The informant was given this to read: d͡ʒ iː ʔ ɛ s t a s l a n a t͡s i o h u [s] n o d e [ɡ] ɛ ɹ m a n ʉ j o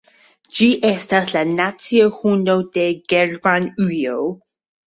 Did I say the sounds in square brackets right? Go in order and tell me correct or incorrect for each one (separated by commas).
incorrect, correct